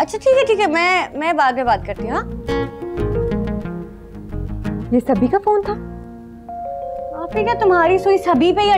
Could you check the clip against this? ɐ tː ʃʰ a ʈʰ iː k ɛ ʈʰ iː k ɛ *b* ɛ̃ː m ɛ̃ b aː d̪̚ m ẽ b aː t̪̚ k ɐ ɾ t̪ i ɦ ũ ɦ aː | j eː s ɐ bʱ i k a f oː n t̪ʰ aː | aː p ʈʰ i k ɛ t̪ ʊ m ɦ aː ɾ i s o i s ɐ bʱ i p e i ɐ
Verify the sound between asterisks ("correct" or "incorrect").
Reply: incorrect